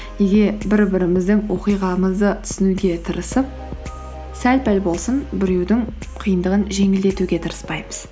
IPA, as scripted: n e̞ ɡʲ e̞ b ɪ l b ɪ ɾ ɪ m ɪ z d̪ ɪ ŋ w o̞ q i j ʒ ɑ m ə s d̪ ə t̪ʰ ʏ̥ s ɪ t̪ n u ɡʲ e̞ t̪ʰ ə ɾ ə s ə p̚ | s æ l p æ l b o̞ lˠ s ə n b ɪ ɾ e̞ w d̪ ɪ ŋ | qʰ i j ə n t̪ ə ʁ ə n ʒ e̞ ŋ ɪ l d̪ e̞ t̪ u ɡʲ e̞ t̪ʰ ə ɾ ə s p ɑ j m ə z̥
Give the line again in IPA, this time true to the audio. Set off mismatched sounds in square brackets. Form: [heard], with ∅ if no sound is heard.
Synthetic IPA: n e̞ ɡʲ e̞ b ɪ [ɾ] b ɪ ɾ ɪ m ɪ z d̪ ɪ ŋ w o̞ q i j [ʁ] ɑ m ə [z] d̪ ə t̪ʰ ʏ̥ s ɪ [∅] n u ɡʲ e̞ t̪ʰ ə ɾ ə s ə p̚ | s æ l p æ l b o̞ lˠ s ə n b ɪ ɾ e̞ w d̪ ɪ ŋ | qʰ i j ə n [d̪] ə ʁ ə n ʒ e̞ ŋ ɪ l d̪ e̞ t̪ u ɡʲ e̞ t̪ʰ ə ɾ ə s p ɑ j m ə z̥